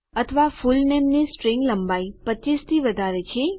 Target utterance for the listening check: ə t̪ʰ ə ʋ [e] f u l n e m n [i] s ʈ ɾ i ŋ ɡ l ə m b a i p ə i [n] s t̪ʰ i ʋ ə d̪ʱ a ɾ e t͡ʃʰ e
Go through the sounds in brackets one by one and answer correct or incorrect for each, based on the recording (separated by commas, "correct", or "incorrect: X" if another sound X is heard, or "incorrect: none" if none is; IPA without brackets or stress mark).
incorrect: a, correct, incorrect: none